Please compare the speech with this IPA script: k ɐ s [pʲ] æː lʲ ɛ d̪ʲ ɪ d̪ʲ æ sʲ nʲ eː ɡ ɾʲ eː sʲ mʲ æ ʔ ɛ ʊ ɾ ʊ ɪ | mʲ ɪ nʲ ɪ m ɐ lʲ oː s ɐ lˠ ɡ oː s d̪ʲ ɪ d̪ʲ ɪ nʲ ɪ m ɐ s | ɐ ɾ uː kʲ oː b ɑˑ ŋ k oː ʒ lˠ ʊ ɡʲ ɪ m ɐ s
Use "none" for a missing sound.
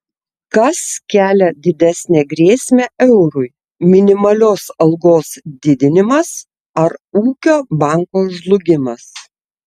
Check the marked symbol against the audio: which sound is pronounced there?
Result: kʲ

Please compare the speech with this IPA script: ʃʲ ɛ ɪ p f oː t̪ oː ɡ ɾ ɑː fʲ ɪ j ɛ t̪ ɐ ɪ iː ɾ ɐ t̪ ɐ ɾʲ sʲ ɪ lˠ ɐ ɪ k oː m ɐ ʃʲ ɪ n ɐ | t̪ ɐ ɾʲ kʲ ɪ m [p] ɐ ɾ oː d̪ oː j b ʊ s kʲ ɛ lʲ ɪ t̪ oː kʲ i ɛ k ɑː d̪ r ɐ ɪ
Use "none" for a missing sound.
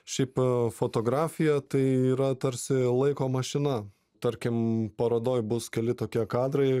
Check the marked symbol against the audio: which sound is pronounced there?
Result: p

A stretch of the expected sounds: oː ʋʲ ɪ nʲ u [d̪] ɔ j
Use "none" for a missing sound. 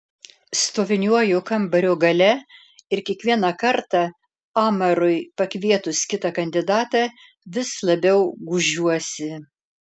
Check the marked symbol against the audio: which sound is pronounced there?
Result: none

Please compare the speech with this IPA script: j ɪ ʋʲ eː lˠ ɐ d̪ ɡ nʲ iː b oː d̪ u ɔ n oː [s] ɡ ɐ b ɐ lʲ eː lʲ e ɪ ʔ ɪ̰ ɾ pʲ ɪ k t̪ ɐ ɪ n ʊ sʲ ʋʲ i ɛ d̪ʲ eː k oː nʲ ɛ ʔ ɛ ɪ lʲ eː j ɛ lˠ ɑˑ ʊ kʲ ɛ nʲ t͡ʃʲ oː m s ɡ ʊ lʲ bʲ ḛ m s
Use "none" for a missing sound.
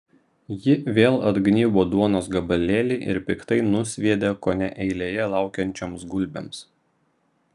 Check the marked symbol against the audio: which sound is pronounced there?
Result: s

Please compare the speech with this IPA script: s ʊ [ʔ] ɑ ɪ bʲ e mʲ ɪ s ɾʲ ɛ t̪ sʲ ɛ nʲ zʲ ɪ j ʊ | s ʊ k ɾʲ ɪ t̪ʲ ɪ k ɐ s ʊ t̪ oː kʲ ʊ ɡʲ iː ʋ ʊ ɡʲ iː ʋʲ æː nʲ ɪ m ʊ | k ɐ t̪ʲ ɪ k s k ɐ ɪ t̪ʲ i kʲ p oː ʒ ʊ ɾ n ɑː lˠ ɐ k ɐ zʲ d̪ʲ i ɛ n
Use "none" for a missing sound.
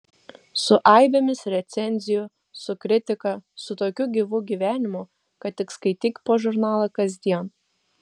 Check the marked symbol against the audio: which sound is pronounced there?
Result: ʔ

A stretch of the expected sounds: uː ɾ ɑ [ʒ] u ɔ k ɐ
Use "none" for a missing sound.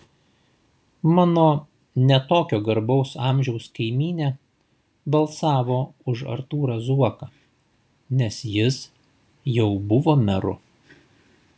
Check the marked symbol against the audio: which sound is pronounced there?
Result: z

